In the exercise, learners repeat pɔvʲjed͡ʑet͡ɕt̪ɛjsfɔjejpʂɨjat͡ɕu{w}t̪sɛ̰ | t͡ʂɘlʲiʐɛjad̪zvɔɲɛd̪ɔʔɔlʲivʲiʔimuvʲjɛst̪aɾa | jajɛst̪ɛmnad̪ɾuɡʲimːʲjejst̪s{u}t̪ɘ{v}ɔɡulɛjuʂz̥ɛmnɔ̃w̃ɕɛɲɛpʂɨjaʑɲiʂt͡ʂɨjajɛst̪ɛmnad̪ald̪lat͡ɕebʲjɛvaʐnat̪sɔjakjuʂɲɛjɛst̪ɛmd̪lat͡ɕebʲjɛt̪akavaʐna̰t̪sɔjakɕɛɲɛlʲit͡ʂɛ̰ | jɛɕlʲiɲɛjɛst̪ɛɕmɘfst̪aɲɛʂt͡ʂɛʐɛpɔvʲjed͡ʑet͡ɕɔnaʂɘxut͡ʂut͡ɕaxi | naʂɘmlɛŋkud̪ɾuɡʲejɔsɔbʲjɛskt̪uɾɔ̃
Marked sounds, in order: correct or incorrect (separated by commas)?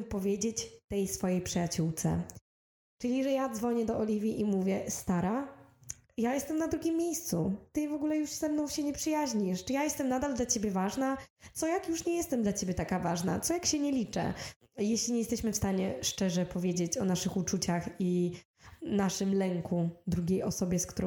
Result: correct, correct, correct